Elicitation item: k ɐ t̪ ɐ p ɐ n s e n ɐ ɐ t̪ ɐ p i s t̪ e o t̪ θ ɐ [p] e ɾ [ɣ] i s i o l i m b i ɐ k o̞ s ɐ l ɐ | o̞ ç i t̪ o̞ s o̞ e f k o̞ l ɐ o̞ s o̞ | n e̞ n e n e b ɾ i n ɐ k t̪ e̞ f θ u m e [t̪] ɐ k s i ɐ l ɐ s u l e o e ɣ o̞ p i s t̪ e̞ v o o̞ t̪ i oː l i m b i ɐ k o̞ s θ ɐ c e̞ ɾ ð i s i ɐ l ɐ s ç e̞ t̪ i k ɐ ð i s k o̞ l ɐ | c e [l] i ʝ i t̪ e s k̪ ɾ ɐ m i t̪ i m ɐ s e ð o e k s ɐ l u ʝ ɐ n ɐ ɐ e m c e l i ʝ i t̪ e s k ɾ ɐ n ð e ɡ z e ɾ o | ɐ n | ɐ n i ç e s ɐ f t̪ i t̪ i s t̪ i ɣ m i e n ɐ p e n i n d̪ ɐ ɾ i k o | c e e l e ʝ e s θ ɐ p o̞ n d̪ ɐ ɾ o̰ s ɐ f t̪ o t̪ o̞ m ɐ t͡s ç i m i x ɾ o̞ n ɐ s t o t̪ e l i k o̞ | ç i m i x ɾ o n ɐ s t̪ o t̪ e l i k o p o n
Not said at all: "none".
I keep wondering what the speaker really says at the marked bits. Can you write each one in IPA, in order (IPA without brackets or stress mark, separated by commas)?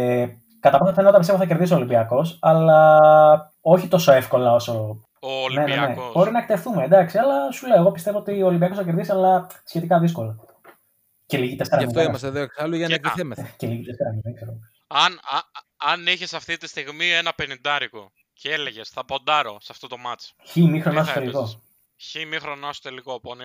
c, ð, d̪, l